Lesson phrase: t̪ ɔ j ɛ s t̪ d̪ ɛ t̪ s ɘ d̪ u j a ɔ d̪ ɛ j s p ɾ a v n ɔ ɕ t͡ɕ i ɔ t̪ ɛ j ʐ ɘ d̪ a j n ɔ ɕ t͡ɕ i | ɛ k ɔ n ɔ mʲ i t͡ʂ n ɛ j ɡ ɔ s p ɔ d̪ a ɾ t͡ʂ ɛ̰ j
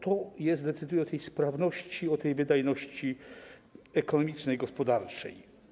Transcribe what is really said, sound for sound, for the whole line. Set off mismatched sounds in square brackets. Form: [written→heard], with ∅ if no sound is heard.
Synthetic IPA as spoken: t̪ ɔ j ɛ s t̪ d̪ ɛ t̪ s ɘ d̪ u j [a→ɛ] ɔ [d̪→t̪] ɛ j s p ɾ a v n ɔ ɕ t͡ɕ i ɔ t̪ ɛ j [ʐ→v] ɘ d̪ a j n ɔ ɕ t͡ɕ i | ɛ k ɔ n ɔ mʲ i t͡ʂ n ɛ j ɡ ɔ s p ɔ d̪ a ɾ t͡ʂ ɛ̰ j